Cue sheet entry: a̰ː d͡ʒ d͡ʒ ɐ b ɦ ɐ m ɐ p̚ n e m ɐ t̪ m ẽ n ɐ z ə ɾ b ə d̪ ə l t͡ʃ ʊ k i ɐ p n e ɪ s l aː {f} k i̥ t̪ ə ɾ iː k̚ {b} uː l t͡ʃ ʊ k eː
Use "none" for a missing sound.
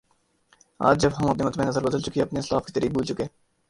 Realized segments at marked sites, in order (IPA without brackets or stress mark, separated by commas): f, b